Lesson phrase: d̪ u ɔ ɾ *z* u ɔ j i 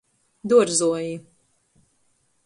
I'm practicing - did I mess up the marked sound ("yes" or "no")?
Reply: no